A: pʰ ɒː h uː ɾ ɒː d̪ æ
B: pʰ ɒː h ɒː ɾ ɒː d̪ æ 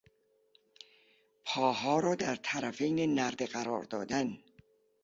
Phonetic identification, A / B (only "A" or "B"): B